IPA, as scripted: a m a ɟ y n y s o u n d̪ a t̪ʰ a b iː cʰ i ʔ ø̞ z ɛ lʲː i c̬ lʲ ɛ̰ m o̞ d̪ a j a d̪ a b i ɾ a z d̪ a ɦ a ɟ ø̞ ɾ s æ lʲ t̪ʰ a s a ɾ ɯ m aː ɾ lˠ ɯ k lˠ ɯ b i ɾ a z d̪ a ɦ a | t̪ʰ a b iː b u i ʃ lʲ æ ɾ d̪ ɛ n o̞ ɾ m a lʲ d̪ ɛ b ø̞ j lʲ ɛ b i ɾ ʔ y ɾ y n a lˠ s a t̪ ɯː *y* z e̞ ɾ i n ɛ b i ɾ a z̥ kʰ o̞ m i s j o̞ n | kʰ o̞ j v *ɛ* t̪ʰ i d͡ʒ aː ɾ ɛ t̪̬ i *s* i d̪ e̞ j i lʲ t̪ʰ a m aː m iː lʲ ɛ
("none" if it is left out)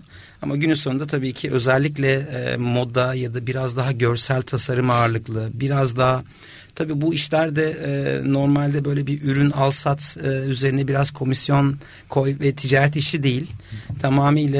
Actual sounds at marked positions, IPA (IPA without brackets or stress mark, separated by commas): y, ɛ, ʃ